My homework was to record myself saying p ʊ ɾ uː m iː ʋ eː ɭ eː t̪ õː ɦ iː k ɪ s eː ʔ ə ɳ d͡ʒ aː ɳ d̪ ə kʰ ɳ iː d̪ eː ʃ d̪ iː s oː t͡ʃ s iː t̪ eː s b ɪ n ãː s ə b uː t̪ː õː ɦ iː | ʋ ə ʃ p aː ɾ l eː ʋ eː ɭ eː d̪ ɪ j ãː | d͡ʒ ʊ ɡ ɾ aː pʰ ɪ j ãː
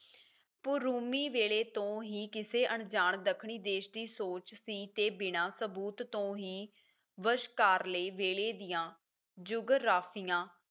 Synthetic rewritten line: p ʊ ɾ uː m iː ʋ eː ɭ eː t̪ õː ɦ iː k ɪ s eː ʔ ə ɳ d͡ʒ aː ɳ d̪ ə kʰ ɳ iː d̪ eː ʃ d̪ iː s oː t͡ʃ s iː t̪ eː b ɪ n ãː s ə b uː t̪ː õː ɦ iː | ʋ ə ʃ k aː ɾ l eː ʋ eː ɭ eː d̪ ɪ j ãː | d͡ʒ ʊ ɡ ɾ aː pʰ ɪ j ãː